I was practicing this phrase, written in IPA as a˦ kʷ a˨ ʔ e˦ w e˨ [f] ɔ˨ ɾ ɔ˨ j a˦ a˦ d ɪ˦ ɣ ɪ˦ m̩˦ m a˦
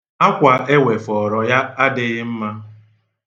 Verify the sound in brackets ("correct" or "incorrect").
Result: correct